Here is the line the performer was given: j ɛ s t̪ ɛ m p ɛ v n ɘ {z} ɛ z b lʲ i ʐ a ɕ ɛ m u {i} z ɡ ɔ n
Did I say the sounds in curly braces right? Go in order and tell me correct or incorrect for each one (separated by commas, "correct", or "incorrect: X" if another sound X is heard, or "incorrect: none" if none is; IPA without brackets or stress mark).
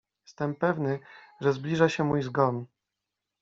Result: incorrect: ʐ, incorrect: j